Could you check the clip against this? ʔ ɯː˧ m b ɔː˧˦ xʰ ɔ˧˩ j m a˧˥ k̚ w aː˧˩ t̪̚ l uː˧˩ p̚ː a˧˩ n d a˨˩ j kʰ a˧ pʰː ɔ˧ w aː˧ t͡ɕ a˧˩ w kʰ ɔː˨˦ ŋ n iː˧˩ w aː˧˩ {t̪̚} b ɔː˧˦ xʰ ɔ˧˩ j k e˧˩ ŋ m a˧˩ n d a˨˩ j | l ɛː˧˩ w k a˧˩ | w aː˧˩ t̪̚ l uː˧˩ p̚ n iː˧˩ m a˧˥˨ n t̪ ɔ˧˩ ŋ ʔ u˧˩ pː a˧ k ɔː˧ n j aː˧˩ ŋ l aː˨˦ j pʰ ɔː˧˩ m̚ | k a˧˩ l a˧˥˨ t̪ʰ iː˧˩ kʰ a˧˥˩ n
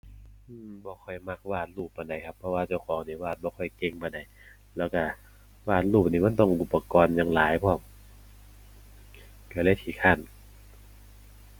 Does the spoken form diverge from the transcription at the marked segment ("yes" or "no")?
no